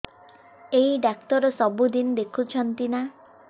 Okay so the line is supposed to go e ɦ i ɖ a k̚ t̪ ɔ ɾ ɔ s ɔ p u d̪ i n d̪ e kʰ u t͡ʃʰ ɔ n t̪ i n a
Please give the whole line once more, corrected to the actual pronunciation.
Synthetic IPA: e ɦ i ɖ a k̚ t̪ ɔ ɾ ɔ s ɔ b u d̪ i n d̪ e kʰ u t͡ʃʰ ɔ n t̪ i n a